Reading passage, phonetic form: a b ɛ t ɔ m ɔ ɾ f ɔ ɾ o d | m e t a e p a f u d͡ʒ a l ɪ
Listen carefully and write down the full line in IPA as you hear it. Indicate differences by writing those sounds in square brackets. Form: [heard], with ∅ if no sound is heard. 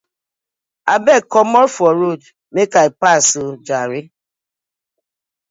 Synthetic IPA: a b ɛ [k] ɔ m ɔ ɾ f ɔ ɾ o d | m e [k] a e p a [s] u d͡ʒ a [ɾ] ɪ